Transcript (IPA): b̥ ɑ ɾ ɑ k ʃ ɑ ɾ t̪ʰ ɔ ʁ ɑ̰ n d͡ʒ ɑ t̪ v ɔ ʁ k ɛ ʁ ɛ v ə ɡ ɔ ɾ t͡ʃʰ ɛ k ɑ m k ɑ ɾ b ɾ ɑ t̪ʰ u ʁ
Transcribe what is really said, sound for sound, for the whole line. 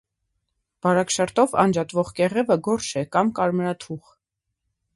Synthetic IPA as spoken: b̥ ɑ ɾ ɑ k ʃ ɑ ɾ t̪ ɔ v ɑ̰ n d͡ʒ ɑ t̪ v ɔ ʁ k ɛ ʁ ɛ v ə ɡ ɔ ɾ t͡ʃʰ ɛ k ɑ m k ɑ ɾ m ɾ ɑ t̪ʰ u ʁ